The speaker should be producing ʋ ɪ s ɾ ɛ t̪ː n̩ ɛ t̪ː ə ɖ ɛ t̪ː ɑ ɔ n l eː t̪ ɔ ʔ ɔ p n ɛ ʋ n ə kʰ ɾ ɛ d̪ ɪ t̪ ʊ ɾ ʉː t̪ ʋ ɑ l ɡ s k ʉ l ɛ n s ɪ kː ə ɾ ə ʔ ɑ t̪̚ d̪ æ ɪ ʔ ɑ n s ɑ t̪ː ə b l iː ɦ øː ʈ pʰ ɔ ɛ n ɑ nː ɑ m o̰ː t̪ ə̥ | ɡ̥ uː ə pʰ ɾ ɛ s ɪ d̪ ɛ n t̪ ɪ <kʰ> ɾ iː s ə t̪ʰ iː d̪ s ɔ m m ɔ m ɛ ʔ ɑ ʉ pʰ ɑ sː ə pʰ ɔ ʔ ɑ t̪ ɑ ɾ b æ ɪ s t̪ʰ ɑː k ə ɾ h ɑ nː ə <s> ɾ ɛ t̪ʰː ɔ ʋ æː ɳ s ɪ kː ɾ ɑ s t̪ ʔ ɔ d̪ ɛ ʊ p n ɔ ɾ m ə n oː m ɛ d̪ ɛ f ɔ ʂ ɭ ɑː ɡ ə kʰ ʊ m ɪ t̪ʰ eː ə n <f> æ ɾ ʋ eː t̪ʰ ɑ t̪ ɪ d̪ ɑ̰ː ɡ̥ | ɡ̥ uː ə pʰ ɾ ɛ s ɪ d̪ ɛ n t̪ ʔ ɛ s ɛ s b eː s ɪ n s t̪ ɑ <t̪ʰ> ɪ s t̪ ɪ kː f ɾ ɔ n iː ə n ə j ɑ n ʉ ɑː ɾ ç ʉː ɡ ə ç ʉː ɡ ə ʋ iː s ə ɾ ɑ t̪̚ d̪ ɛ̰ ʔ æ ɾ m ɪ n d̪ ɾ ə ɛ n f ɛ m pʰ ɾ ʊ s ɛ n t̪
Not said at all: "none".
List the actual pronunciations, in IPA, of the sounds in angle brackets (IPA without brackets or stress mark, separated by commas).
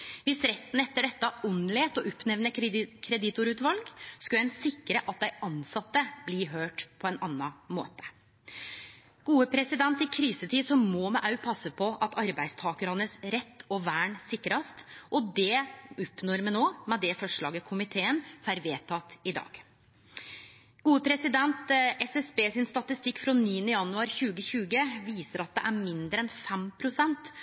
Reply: kʰ, s, f, t̪